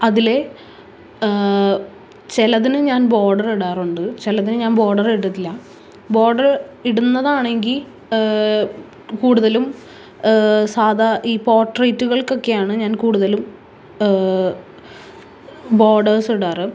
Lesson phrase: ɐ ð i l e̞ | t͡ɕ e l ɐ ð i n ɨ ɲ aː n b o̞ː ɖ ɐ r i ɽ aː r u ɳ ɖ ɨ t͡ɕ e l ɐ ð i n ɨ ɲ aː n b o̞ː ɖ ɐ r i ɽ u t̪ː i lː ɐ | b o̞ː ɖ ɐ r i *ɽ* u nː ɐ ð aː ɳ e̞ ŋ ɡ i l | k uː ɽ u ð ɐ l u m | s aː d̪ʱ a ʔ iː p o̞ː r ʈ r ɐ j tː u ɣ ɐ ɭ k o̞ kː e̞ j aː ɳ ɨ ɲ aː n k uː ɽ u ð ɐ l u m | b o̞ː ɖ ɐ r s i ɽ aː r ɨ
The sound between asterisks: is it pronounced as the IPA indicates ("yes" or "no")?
yes